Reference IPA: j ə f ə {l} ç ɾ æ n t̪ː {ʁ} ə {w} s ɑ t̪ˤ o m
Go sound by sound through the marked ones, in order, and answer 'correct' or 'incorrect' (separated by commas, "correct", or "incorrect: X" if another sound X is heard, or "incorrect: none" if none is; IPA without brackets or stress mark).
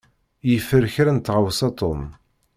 incorrect: ɾ, correct, correct